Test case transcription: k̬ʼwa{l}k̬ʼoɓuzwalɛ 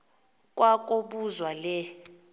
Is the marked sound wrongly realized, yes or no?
yes